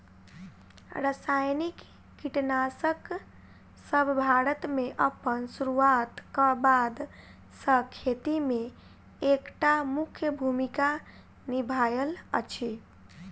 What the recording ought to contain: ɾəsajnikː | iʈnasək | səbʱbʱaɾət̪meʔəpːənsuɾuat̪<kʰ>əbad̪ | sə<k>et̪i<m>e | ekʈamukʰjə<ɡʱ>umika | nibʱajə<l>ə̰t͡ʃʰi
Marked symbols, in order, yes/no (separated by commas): no, no, yes, no, yes